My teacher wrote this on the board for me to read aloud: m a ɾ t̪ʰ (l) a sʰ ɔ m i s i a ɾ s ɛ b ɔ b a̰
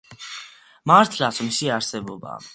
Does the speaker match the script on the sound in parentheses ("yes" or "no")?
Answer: yes